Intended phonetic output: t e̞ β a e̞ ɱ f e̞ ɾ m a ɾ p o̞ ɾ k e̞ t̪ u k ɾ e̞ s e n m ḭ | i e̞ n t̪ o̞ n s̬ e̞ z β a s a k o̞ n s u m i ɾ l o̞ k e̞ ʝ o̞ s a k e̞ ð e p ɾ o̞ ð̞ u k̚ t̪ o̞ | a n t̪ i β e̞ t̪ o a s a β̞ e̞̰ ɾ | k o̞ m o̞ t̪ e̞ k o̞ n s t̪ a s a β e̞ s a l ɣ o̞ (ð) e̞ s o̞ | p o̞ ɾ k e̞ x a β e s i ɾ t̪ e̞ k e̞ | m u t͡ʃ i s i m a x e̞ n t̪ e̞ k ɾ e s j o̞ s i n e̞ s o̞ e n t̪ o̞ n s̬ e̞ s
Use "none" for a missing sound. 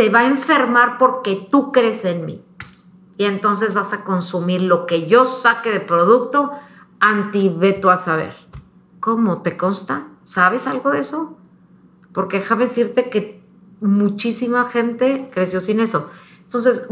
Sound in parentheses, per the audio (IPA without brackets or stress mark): ð